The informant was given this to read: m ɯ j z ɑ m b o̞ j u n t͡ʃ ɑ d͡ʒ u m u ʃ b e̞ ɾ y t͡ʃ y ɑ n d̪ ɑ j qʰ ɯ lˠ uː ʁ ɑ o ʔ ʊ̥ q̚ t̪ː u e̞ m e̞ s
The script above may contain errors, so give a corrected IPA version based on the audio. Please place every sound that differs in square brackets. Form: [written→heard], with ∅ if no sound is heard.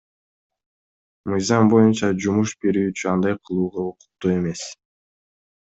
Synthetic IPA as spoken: m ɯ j z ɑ m b o̞ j u n t͡ʃ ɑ d͡ʒ u m u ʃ b e̞ ɾ [y→yː] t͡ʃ y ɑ n d̪ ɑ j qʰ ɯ lˠ uː ʁ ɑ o [ʔ→q] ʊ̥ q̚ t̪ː u e̞ m e̞ s